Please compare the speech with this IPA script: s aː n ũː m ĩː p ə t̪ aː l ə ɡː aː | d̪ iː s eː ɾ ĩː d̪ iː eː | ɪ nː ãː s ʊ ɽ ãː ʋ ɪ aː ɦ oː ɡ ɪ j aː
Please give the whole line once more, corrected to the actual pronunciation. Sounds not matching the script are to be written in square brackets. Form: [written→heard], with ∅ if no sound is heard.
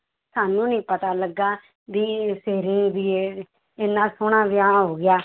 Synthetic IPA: s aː n ũː [m→n] ĩː p ə t̪ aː l ə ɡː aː | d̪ iː s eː ɾ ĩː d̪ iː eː | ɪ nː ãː s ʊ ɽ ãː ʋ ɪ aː ɦ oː ɡ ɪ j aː